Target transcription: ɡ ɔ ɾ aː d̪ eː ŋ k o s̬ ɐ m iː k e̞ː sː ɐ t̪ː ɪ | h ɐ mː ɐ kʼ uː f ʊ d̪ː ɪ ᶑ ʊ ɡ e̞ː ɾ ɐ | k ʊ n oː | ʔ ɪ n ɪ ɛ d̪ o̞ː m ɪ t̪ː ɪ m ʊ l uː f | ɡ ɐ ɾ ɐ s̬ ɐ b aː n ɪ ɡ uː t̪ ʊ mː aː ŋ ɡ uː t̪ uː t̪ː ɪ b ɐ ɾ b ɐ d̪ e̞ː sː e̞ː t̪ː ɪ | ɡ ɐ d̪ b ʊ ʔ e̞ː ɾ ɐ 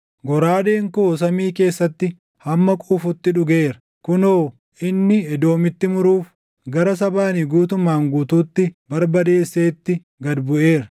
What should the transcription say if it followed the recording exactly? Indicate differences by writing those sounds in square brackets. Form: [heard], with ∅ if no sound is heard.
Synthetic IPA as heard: ɡ ɔ ɾ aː d̪ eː ŋ k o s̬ ɐ m iː k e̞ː sː ɐ t̪ː ɪ | h ɐ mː ɐ kʼ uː f ʊ [t̪ː] ɪ ᶑ ʊ ɡ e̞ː ɾ ɐ | k ʊ n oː | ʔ ɪ [nː] ɪ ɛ d̪ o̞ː m ɪ t̪ː ɪ m ʊ [ɾ] uː f | ɡ ɐ ɾ ɐ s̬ ɐ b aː n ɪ ɡ uː t̪ ʊ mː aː ŋ ɡ uː t̪ uː t̪ː ɪ b ɐ ɾ b ɐ d̪ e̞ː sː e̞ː t̪ː ɪ | ɡ ɐ d̪ b ʊ ʔ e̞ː ɾ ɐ